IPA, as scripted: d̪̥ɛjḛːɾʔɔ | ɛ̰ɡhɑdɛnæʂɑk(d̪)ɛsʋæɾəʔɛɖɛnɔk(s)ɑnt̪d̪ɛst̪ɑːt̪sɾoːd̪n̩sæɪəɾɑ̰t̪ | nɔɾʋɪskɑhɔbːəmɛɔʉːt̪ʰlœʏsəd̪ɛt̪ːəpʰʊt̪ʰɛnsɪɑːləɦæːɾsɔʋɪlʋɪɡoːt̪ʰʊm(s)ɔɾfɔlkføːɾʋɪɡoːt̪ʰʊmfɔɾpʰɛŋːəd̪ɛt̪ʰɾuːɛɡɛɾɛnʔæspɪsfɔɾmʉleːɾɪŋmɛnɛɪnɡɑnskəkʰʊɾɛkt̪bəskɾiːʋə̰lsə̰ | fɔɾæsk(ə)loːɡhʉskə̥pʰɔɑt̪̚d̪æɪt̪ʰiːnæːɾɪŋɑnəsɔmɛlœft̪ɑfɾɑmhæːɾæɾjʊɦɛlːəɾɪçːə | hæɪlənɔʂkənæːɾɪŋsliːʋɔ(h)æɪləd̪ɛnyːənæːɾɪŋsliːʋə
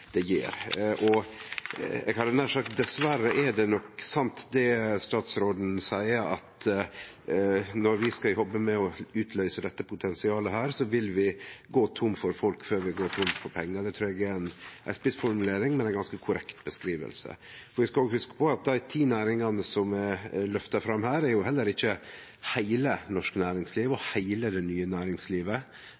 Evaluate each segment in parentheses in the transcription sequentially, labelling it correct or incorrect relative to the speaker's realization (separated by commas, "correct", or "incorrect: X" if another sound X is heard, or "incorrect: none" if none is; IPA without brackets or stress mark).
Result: correct, correct, incorrect: f, incorrect: ɑ, correct